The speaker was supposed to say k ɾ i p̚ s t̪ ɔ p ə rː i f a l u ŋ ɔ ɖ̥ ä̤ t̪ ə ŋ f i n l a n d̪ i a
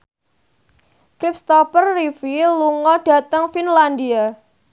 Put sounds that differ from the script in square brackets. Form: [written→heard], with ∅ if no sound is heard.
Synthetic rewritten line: k ɾ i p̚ s t̪ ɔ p ə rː i f [a→i] l u ŋ ɔ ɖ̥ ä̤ t̪ ə ŋ f i n l a n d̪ i a